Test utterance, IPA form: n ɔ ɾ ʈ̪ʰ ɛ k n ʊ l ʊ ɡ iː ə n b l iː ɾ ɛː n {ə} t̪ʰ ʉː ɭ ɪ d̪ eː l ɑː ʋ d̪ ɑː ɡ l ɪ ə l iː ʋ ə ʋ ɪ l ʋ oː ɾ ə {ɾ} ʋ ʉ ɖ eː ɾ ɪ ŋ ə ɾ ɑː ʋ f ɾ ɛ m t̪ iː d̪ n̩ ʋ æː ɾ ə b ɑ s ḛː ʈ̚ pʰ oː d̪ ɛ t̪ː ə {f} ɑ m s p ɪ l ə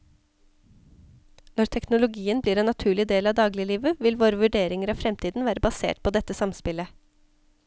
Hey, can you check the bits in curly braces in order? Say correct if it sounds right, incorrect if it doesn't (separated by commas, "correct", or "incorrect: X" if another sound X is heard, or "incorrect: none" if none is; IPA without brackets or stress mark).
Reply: incorrect: ɑ, incorrect: none, incorrect: s